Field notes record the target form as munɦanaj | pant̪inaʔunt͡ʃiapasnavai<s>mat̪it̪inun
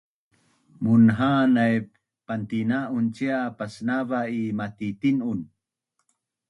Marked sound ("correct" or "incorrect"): incorrect